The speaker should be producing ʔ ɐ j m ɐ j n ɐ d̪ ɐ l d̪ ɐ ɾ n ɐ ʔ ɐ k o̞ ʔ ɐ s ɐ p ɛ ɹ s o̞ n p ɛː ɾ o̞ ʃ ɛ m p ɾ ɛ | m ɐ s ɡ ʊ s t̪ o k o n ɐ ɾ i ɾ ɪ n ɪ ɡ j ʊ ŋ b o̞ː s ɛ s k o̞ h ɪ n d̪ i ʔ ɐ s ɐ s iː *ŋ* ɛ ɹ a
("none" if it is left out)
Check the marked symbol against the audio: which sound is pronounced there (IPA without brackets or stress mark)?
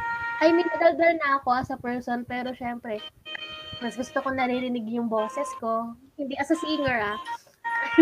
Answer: ŋ